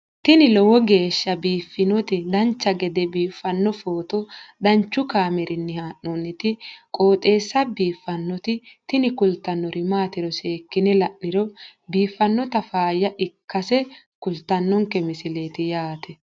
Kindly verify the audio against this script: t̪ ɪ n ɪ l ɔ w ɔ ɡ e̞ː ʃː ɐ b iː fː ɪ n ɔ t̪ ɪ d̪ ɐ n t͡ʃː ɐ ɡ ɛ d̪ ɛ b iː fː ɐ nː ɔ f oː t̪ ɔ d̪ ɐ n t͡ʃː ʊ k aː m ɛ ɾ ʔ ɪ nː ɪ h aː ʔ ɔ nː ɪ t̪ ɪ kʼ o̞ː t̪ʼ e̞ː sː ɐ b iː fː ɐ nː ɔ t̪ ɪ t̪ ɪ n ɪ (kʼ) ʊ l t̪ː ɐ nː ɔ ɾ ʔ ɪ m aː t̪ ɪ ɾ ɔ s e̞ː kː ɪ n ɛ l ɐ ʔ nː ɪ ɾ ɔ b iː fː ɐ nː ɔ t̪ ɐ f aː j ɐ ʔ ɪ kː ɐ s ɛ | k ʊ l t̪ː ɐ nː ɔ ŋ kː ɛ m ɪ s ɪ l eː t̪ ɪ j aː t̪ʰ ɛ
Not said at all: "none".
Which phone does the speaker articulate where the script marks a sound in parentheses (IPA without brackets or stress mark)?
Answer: k